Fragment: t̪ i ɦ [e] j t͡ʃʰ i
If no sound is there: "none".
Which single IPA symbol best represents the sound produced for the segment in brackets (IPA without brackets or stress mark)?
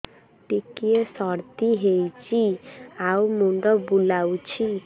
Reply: e